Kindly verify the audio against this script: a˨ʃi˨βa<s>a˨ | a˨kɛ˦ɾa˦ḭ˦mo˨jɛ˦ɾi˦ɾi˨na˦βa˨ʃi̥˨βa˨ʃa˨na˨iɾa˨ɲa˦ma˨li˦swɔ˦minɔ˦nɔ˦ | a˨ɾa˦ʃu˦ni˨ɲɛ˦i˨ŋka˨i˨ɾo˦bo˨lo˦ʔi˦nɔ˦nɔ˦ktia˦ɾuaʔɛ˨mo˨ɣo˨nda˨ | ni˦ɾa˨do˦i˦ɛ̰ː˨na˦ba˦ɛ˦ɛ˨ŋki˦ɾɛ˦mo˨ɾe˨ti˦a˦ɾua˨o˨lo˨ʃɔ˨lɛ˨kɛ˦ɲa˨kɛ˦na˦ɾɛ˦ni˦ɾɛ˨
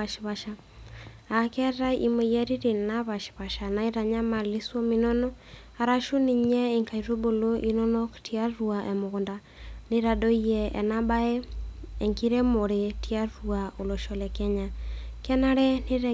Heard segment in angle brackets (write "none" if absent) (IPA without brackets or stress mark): ʃ